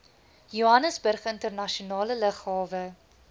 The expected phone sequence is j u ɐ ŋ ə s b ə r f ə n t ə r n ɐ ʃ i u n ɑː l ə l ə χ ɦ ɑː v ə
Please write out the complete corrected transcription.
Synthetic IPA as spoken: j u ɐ n ə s b ə r χ ə n t ə r n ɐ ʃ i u n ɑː l ə l ə χ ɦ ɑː v ə